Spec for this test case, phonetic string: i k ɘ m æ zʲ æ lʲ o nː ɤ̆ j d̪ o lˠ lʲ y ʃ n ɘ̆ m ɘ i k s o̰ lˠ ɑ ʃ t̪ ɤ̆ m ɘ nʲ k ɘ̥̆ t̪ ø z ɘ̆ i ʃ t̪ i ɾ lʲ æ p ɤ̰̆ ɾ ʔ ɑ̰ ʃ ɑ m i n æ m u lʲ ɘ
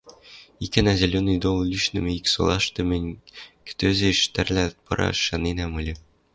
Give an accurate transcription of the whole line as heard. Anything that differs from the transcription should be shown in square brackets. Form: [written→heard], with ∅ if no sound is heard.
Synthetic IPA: i k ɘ [m→n] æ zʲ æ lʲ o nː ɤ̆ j d̪ o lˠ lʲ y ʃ n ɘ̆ m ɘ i k s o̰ lˠ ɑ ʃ t̪ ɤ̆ m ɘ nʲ k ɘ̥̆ t̪ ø z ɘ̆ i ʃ t̪ [i→æ] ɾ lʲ æ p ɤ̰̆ ɾ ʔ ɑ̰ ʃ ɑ [m→n] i n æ m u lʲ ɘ